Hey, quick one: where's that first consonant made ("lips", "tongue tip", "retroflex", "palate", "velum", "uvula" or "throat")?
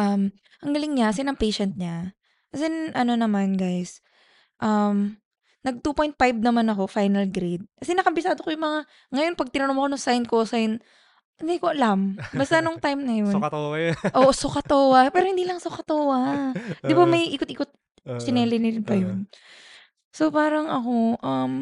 throat